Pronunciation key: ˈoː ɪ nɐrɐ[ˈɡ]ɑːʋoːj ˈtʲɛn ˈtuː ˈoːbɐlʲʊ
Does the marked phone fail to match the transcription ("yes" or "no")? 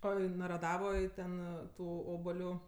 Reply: yes